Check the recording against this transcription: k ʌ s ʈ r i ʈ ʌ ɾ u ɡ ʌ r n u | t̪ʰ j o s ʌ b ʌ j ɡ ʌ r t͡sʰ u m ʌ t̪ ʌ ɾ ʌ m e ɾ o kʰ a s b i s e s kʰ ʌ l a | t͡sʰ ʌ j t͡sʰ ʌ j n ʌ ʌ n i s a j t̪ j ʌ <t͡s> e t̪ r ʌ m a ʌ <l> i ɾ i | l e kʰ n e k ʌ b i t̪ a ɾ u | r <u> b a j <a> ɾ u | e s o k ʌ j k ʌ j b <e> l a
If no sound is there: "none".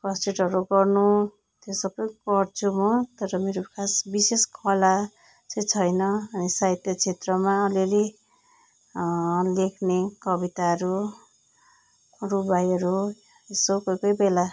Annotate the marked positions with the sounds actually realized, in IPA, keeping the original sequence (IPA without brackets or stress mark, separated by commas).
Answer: t͡sʰ, l, u, ʌ, e